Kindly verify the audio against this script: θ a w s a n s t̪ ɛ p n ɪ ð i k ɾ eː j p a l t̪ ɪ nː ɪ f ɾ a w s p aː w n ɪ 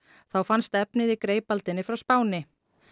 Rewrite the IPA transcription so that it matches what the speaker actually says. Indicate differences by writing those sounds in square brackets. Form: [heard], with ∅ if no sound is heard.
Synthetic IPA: θ a w [f] a n s t̪ ɛ p n ɪ ð i k ɾ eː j p a l t̪ ɪ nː ɪ f ɾ a w s p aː w n ɪ